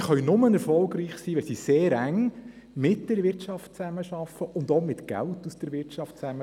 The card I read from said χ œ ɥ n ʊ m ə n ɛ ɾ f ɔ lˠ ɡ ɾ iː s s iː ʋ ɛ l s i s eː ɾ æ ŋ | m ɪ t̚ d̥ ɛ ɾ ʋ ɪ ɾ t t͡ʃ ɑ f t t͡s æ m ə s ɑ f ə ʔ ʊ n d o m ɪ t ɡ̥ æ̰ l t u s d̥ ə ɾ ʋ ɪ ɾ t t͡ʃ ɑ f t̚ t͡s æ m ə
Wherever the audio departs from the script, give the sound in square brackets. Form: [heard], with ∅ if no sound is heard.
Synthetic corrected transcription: χ œ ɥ n ʊ m ə n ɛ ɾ f ɔ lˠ ɡ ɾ iː [χ] s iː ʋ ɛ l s i s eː ɾ æ ŋ | m ɪ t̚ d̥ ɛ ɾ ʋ ɪ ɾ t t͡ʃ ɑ f t t͡s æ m ə [ʃ] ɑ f ə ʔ ʊ n d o m ɪ t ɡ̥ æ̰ l t u s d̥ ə ɾ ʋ ɪ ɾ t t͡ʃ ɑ f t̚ t͡s æ m ə

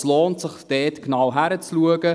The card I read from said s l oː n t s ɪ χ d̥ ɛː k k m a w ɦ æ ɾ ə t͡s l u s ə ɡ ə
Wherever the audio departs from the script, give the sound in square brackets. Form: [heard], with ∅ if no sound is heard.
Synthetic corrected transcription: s l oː n t s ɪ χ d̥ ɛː [t] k [n] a w ɦ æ ɾ ə t͡s l u [∅] ə ɡ ə

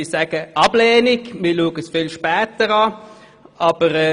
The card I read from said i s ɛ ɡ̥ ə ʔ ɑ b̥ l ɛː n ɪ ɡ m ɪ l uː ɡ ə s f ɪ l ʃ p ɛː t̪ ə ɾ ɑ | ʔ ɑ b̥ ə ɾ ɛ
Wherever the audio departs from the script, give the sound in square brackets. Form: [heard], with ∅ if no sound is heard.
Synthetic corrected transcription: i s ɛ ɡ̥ ə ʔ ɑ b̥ l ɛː n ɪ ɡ m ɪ l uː ɡ ə s f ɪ l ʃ p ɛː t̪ ə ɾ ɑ | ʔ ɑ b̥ ə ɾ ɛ

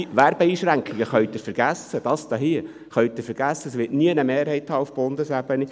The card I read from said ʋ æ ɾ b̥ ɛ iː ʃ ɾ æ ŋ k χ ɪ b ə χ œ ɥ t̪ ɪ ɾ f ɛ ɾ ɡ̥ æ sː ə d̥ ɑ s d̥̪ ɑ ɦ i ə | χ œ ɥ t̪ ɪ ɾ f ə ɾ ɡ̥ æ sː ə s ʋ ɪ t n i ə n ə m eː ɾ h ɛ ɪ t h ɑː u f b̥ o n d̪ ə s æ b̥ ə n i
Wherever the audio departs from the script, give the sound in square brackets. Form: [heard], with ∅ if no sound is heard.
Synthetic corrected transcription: ʋ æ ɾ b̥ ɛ iː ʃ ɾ æ ŋ k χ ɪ [ɡ] ə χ œ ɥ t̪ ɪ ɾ f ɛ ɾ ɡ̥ æ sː ə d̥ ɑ s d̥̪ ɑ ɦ i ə | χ œ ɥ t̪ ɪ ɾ f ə ɾ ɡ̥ æ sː ə s ʋ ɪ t n i ə n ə m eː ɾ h ɛ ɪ t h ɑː u f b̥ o n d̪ ə s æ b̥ ə n i

